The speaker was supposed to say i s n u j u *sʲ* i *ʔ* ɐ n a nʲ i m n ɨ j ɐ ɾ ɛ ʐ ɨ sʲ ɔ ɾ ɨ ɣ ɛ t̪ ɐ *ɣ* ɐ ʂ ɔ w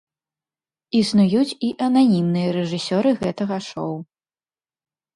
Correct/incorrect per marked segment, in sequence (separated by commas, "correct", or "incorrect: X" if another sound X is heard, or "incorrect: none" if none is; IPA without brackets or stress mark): incorrect: t͡sʲ, correct, correct